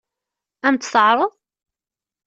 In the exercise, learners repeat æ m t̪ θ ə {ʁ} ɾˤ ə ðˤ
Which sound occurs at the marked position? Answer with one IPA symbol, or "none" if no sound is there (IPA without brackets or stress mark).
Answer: ʕ